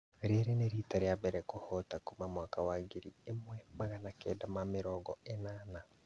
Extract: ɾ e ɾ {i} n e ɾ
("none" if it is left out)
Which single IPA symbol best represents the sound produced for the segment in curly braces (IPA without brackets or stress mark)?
e